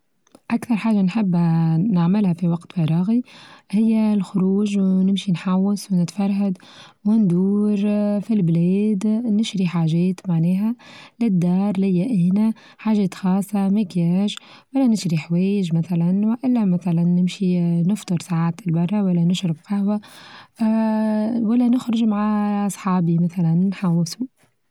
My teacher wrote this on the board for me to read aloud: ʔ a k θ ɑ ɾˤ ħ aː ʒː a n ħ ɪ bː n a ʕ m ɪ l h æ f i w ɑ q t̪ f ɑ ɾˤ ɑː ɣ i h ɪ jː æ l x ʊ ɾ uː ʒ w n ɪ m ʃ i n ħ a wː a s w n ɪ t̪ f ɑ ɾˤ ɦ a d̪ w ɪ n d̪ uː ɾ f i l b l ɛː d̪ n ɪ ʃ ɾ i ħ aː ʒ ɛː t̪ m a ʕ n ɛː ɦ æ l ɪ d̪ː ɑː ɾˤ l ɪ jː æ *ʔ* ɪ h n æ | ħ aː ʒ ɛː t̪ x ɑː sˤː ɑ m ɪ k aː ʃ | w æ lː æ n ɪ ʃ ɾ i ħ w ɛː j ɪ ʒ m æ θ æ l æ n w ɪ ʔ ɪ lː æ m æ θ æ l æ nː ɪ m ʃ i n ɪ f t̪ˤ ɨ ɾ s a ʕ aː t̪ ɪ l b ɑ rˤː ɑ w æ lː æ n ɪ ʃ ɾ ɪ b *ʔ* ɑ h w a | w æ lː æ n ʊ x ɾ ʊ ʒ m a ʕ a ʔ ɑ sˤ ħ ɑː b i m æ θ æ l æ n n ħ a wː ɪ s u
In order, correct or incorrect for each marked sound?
correct, incorrect

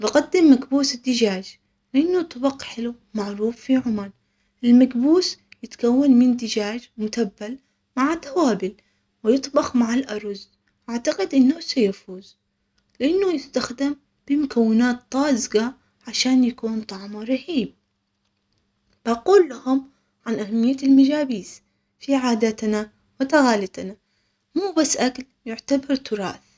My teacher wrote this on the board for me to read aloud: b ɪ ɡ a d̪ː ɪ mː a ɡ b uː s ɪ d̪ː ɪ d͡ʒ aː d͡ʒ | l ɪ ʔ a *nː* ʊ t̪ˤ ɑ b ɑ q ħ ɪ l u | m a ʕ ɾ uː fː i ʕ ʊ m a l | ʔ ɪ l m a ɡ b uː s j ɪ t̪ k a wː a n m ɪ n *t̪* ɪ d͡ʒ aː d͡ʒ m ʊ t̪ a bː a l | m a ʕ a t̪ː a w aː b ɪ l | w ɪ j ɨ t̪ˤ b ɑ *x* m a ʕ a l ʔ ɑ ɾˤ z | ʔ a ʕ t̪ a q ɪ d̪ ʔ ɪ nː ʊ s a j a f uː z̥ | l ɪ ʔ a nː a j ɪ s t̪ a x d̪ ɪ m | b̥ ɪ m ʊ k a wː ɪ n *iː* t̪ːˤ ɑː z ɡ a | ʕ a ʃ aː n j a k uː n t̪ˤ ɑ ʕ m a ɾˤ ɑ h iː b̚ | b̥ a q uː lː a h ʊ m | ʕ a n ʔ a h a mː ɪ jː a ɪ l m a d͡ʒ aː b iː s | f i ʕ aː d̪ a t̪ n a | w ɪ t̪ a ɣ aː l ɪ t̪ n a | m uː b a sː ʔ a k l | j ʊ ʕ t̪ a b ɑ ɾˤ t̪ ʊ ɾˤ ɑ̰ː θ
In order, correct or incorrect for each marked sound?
correct, incorrect, correct, incorrect

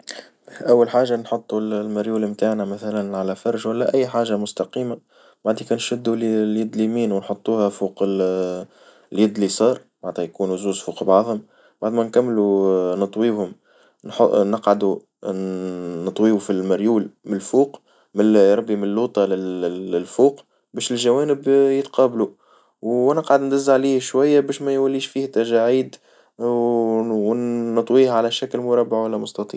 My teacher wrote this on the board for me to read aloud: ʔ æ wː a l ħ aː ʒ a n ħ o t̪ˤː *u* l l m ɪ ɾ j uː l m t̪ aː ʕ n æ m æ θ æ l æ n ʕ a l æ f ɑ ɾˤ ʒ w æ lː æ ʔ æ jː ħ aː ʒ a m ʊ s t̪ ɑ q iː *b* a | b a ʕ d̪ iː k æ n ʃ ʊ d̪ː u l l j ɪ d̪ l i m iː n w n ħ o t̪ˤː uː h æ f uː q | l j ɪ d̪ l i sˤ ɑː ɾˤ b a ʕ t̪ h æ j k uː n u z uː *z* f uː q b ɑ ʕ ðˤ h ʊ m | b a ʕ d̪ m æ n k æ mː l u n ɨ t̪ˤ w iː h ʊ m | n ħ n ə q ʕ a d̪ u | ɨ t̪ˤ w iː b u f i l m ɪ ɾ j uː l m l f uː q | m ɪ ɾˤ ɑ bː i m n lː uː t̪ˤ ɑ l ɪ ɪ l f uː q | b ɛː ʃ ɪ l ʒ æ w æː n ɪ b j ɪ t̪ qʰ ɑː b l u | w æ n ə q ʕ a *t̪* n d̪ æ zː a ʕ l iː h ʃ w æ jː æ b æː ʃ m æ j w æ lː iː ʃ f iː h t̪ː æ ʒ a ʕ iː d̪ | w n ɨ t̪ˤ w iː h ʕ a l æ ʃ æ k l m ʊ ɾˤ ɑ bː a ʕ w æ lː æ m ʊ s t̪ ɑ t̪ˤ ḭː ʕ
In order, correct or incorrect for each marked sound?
correct, incorrect, correct, incorrect

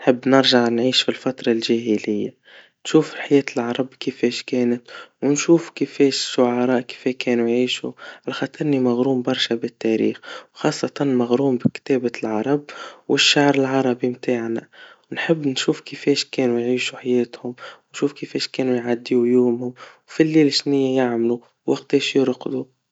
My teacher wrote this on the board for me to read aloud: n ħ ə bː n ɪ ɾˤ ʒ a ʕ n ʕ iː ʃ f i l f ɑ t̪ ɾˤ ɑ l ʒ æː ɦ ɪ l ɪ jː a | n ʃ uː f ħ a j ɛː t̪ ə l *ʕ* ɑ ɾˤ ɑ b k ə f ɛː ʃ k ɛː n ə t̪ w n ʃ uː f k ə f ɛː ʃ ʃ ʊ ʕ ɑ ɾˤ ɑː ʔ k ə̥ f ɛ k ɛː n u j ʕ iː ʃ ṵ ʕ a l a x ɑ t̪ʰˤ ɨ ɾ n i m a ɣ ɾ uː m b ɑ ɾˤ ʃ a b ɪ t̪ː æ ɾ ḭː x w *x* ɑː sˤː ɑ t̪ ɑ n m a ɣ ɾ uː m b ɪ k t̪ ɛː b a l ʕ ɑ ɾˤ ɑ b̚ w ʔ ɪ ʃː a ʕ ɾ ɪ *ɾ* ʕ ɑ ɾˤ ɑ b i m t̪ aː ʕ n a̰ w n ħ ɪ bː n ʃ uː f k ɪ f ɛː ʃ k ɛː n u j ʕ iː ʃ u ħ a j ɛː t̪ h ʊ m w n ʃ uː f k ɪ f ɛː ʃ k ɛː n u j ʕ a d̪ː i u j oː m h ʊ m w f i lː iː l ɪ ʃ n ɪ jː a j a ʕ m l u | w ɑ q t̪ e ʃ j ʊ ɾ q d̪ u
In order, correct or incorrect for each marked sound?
correct, correct, incorrect

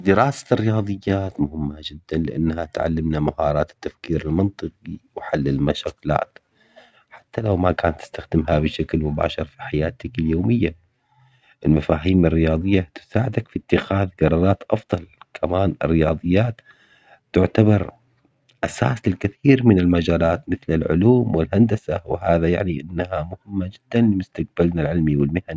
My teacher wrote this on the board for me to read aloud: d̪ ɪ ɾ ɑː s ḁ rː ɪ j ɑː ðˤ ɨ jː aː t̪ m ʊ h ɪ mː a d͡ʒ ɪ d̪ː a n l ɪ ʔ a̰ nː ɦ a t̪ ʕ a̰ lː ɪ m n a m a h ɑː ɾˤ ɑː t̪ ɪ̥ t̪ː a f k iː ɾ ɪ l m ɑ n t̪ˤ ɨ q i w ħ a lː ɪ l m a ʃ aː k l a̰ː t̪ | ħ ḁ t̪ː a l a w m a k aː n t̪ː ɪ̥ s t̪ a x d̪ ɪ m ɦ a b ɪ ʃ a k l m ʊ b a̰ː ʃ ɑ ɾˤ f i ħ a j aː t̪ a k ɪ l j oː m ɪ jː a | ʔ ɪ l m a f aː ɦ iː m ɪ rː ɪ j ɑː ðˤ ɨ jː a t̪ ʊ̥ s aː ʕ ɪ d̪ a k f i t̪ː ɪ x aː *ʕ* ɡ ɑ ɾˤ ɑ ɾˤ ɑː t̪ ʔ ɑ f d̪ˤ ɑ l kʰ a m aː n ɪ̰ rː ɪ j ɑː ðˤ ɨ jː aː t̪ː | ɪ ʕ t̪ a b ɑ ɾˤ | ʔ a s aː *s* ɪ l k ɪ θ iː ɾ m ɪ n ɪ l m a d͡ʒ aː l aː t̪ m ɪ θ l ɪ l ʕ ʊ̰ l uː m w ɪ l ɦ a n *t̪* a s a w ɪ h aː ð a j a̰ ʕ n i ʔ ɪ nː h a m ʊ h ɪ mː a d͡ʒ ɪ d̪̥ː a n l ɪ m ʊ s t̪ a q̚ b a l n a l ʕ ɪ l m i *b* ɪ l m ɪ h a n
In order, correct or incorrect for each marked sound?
incorrect, correct, incorrect, incorrect

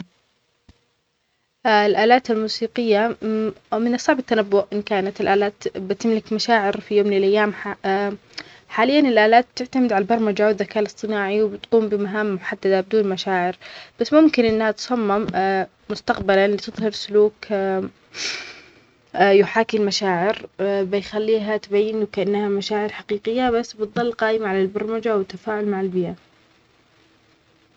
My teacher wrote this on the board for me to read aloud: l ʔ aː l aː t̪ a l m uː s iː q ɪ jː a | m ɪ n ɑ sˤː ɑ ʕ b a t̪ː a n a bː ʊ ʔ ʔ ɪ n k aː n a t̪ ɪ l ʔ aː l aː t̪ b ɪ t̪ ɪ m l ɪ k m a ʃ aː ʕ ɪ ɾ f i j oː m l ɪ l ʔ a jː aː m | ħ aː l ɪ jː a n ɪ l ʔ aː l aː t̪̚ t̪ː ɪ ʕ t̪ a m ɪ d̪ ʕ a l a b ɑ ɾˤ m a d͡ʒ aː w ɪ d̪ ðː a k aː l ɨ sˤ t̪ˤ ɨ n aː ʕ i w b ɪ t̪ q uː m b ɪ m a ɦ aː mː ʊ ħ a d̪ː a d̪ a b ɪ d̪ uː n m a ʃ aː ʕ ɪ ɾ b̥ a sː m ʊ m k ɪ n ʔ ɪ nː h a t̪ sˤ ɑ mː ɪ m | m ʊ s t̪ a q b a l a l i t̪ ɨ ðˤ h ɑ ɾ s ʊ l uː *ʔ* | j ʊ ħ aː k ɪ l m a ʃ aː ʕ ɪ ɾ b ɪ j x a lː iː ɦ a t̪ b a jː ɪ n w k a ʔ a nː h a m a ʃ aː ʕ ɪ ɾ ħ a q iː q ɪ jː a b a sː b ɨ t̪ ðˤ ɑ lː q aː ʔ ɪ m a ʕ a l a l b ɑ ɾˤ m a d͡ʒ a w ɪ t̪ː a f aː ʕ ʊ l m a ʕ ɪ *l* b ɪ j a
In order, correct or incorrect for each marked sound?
incorrect, correct

